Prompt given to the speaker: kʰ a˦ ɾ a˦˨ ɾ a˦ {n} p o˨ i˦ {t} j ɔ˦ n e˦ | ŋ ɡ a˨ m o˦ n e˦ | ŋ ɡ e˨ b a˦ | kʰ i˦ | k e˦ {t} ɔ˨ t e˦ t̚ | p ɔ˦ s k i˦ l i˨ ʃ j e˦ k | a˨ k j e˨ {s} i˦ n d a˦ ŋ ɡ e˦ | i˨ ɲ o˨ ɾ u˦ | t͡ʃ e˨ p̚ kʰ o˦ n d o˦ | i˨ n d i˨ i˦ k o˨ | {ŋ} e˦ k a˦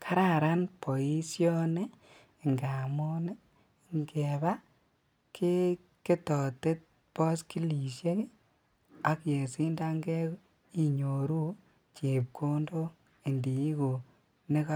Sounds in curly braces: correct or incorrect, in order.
correct, incorrect: s, correct, correct, incorrect: n

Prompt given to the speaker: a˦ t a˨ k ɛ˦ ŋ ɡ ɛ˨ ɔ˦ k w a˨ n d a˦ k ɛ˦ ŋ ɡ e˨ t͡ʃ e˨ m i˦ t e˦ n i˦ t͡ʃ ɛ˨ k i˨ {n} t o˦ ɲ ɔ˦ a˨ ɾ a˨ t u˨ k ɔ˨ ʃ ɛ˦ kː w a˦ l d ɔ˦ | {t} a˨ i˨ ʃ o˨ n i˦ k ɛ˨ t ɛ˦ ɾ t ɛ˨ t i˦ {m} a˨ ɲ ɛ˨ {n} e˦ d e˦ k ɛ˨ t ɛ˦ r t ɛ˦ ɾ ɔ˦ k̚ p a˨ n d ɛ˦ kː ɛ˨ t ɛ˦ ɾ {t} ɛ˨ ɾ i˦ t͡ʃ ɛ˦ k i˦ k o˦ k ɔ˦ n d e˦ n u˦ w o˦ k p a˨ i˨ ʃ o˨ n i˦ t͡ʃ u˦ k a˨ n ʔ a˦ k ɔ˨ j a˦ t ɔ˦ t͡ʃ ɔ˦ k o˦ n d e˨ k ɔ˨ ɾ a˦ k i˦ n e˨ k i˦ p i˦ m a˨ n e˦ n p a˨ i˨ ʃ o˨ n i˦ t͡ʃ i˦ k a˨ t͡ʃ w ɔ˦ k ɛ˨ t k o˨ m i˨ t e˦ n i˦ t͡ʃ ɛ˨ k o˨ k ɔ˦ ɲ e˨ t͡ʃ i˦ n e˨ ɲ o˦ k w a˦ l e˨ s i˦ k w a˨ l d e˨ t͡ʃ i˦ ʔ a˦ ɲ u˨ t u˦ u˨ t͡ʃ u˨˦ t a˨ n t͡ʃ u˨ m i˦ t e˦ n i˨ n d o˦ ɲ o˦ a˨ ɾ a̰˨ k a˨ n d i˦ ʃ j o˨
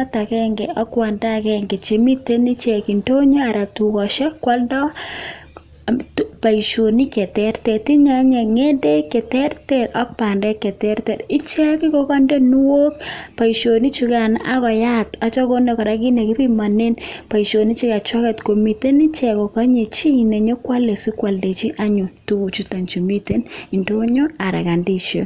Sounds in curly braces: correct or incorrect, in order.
correct, incorrect: p, incorrect: ɲ, incorrect: ŋ, correct

